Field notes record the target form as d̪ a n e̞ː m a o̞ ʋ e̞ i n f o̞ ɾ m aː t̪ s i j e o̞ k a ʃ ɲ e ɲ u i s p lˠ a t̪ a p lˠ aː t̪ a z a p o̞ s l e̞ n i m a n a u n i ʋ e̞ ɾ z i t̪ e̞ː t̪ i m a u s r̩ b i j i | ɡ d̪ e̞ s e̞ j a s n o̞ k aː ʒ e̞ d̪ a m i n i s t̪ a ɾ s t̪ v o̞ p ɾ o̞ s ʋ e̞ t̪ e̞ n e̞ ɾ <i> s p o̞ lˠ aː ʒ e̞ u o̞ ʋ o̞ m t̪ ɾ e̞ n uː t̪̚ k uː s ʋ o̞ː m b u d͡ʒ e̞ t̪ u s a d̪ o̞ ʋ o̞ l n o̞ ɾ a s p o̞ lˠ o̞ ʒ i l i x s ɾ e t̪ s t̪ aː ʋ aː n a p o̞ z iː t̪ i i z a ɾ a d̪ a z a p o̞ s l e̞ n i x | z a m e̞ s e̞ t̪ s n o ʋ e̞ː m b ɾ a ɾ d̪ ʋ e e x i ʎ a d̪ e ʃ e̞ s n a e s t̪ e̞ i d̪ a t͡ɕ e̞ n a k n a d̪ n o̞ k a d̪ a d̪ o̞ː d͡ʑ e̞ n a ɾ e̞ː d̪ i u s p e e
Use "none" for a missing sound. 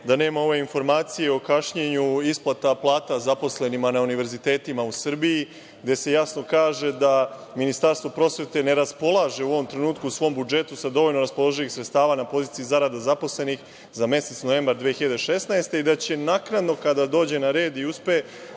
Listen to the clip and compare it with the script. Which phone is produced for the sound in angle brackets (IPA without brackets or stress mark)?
a